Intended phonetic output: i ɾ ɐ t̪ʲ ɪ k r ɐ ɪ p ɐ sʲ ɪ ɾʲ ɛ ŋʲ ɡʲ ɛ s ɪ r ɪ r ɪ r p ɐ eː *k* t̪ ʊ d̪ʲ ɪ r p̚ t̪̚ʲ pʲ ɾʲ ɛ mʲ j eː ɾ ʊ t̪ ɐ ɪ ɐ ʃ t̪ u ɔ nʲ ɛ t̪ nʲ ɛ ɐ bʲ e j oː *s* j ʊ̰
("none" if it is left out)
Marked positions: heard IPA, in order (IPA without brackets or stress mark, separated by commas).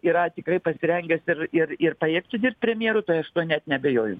k, none